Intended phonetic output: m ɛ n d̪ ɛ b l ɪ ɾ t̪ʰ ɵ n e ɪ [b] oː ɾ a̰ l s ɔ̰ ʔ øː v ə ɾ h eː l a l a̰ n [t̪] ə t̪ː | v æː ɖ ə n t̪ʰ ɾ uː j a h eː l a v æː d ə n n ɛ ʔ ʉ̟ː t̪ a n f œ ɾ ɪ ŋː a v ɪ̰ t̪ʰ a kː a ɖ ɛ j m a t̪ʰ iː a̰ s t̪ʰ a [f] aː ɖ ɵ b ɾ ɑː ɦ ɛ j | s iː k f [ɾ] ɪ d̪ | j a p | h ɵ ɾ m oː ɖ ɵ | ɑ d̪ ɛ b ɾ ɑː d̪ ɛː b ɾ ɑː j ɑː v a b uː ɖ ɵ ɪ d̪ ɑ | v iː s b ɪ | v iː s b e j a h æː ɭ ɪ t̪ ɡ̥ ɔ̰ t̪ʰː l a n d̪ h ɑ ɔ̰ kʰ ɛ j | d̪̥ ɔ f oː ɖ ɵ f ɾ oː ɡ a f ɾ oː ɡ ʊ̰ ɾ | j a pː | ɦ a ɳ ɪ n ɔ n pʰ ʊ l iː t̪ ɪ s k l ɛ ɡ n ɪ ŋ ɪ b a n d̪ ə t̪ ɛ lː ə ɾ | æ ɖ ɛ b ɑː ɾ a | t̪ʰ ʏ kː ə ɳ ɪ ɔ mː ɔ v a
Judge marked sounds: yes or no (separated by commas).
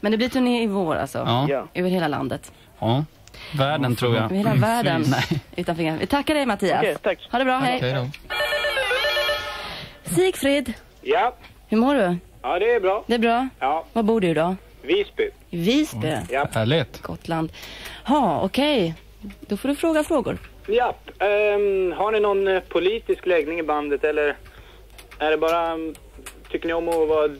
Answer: no, no, no, yes